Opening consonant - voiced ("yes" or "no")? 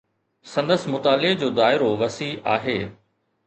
no